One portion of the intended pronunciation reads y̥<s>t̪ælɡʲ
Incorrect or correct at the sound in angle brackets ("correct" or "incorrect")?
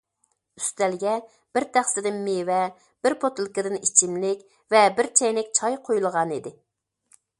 correct